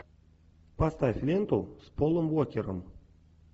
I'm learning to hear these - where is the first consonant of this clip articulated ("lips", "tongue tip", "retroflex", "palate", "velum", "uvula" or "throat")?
lips